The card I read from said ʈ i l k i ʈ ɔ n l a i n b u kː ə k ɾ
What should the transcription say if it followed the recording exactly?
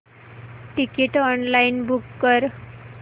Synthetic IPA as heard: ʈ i k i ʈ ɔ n l a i n b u kː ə ɾ

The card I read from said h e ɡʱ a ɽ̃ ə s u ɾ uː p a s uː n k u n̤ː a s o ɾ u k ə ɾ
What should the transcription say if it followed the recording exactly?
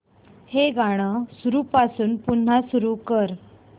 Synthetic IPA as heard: h e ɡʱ a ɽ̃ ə s u ɾ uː p a s uː n p u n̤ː a s u ɾ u k ə ɾ

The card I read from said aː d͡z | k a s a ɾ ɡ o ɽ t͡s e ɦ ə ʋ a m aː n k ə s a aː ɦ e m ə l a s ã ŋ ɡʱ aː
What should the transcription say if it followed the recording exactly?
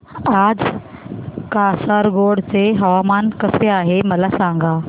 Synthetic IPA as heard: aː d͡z | k a s a ɾ ɡ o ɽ t͡s e ɦ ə ʋ a m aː n k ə s e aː ɦ e m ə l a s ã ŋ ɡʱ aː

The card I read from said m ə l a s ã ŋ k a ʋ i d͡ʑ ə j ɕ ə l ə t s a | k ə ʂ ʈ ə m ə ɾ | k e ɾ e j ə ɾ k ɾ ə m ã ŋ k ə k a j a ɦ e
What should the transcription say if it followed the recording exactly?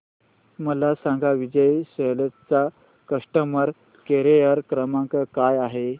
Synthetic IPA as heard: m ə l a s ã ŋ ɡ a ʋ i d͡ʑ ə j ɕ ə l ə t t͡s a | k ə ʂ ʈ ə m ə ɾ | k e ɾ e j ə ɾ k ɾ ə m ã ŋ k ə k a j a ɦ e

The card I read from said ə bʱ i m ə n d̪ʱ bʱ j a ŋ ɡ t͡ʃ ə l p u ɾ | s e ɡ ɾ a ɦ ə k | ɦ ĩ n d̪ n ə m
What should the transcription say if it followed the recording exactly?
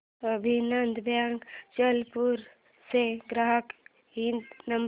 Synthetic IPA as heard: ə bʱ i n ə n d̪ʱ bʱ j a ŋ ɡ t͡ʃ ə l p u ɾ | s e ɡ ɾ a ɦ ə k | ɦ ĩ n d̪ n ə m

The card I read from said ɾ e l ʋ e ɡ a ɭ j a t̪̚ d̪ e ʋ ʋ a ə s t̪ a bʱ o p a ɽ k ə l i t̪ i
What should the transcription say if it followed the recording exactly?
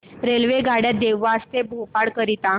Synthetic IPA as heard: ɾ e l ʋ e ɡ a ɽ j a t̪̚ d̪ e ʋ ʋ a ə s t̪ e bʱ o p a ɽ k ə ɾ i t̪ a

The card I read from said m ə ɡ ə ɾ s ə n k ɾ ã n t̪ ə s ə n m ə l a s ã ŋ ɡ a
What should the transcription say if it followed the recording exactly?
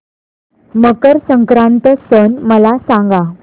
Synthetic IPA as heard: m ə k ə ɾ s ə ŋ k ɾ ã n t̪ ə s ə n m ə l a s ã ŋ ɡ a

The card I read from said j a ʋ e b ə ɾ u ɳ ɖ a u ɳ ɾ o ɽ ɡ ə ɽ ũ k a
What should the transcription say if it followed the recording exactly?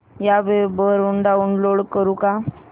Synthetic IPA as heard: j a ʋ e b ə ɾ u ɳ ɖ a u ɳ l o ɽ k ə ɾ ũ k a

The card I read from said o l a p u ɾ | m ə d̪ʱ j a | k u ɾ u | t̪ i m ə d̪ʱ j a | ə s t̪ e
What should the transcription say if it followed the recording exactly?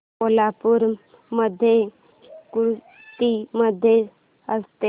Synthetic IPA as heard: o l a p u ɾ | m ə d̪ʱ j e | k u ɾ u | t̪ i m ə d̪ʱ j e | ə s t̪ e

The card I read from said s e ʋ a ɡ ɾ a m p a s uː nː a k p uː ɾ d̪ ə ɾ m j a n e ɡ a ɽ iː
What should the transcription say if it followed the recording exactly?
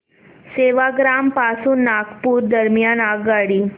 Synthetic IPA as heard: s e ʋ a ɡ ɾ a m p a s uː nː a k p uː ɾ d̪ ə ɾ m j a n a ɡ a ɽ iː

